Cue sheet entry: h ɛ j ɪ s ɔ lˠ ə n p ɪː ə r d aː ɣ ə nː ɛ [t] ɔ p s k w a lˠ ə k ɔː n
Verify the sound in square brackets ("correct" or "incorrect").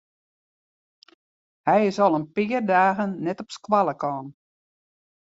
correct